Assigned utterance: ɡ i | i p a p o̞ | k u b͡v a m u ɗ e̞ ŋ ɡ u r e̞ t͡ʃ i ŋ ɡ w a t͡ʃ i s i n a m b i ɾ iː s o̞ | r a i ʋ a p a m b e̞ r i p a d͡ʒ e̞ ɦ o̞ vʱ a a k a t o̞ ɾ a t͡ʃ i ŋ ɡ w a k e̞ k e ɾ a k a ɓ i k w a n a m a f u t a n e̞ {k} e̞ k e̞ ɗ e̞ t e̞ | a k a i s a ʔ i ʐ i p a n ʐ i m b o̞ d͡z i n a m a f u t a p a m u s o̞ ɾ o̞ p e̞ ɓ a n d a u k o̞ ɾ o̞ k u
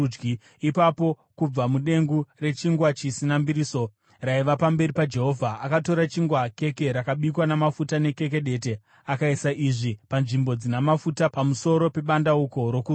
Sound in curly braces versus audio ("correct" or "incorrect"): correct